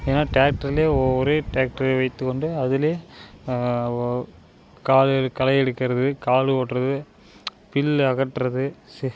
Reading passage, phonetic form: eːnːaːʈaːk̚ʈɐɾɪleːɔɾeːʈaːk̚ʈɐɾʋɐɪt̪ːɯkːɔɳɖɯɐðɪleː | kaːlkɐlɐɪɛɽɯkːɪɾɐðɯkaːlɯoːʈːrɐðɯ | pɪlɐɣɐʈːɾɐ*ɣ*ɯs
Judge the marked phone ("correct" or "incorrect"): incorrect